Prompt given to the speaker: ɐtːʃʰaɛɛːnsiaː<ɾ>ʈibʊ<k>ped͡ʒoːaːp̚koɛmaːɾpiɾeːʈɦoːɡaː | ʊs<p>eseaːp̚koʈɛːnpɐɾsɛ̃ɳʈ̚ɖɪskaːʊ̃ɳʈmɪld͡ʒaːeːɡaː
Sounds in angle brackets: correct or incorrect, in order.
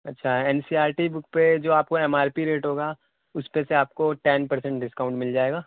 correct, correct, correct

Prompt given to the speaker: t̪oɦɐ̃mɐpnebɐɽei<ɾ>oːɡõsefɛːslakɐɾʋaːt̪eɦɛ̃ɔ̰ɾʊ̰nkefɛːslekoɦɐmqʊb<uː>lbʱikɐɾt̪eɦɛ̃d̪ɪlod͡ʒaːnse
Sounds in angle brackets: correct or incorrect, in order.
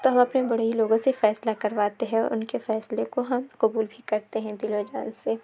incorrect: l, correct

